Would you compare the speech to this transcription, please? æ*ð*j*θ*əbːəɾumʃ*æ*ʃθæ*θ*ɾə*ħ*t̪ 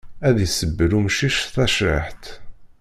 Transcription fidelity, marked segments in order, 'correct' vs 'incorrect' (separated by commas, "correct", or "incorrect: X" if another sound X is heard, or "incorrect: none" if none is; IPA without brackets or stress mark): correct, incorrect: s, incorrect: i, incorrect: ʃ, correct